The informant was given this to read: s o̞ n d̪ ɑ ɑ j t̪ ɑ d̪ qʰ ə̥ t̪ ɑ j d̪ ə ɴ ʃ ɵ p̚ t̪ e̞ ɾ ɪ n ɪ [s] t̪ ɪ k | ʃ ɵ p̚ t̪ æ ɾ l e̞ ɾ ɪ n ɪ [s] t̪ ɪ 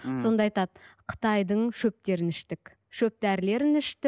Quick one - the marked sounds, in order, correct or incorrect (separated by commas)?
incorrect, incorrect